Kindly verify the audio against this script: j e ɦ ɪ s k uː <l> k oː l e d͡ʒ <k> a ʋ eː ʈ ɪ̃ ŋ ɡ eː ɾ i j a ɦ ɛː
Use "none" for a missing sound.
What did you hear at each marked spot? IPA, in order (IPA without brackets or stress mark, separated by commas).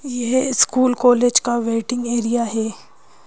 l, k